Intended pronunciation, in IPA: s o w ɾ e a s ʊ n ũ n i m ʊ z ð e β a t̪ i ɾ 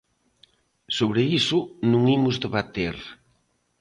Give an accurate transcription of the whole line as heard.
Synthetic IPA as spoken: s o β ɾ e i s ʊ n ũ ŋ i m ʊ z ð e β a t̪ e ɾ